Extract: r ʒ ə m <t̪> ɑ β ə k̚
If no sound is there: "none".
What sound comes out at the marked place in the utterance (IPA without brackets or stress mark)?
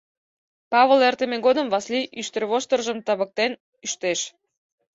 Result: t̪